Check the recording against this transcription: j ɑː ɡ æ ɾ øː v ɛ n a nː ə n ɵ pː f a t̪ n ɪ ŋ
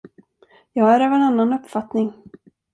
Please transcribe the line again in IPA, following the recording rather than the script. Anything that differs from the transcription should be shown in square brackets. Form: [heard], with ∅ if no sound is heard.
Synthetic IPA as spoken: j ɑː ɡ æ ɾ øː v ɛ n a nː [a] n ɵ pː f a t̪ n ɪ ŋ